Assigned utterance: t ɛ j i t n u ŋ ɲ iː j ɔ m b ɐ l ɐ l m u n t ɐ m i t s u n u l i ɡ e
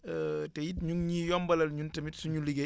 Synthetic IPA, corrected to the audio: t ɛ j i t ɲ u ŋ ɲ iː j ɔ m b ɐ l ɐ l ɲ u n t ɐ m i t s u ɲ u l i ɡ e